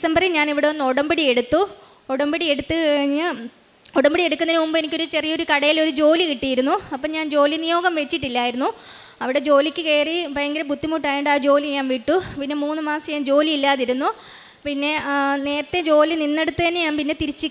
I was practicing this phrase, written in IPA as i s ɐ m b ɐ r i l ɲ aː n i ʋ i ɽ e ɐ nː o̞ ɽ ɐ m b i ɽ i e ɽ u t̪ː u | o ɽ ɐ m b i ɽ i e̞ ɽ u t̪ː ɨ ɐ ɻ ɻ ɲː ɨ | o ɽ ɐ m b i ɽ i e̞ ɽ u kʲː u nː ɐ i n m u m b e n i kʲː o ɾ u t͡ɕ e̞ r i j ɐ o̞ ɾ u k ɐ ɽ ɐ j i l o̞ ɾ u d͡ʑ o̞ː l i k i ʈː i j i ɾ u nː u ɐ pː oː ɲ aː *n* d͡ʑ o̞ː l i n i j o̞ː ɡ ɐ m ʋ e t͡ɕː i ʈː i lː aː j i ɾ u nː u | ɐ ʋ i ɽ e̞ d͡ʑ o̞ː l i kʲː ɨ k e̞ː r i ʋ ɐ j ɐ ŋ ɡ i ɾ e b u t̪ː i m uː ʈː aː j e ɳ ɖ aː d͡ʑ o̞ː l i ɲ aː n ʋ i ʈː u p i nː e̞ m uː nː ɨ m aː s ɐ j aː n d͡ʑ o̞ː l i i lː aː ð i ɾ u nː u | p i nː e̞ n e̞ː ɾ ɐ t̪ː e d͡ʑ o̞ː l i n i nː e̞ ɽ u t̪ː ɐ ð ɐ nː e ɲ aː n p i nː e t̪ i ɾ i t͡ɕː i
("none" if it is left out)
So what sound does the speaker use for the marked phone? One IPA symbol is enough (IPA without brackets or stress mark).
n